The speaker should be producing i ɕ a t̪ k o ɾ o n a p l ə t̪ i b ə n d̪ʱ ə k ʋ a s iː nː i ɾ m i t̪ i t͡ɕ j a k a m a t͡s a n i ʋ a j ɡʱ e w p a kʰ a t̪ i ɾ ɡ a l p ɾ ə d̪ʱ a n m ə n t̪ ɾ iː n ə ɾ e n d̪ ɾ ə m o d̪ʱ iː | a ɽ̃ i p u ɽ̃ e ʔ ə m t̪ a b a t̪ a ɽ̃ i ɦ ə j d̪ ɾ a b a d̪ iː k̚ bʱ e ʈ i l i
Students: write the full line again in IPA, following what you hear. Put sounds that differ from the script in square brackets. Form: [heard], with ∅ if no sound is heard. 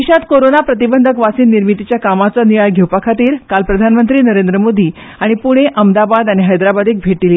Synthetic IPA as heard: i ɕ a t̪ k o ɾ o n a p [ɾ] ə t̪ i b ə n d̪ʱ ə k ʋ a s iː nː i ɾ m i t̪ i t͡ɕ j a k a m a t͡s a n i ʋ a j ɡʱ e w p a kʰ a t̪ [iː] ɾ [k] a l p ɾ ə d̪ʱ a n m ə n t̪ ɾ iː n ə ɾ e n d̪ ɾ ə m o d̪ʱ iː | a ɽ̃ i p u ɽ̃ e ʔ ə m [d̪] a b a [d̪] a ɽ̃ i ɦ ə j d̪ ɾ a b a d̪ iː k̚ bʱ e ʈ i l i